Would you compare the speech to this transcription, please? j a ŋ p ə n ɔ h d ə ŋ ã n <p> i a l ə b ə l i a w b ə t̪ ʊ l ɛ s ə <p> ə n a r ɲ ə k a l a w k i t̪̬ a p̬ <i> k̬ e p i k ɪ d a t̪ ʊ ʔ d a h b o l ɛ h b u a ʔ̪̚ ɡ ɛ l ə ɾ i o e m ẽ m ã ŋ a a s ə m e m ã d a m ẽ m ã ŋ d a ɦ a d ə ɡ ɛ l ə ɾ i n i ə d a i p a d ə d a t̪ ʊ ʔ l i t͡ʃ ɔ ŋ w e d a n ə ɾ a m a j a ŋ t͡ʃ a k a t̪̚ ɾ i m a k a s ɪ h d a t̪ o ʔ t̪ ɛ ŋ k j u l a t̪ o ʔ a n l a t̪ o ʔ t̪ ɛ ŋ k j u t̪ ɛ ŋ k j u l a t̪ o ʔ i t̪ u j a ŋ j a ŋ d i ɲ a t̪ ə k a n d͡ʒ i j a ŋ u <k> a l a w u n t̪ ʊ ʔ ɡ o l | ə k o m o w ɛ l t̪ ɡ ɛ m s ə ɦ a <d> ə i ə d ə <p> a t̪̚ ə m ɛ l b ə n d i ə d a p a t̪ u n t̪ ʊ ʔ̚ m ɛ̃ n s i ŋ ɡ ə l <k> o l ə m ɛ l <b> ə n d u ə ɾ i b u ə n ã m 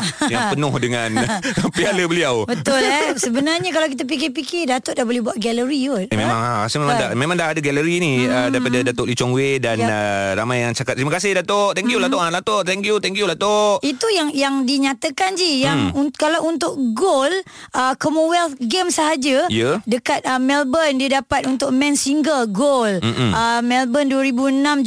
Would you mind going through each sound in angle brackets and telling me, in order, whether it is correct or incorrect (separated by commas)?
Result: correct, incorrect, correct, correct, incorrect, incorrect, incorrect, correct